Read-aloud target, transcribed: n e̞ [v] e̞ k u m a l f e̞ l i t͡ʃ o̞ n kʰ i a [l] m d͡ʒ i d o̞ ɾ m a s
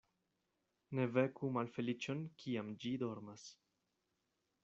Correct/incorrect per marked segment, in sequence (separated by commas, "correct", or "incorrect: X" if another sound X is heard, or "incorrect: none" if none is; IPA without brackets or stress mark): correct, incorrect: none